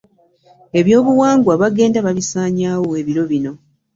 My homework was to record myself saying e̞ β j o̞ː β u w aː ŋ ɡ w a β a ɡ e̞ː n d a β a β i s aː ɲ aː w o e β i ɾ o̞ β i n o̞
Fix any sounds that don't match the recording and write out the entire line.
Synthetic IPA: e̞ β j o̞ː β u w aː ŋ ɡ w a β a ɡ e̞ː n d a β a β i s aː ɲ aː w o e β i ɾ o̞ β i n o̞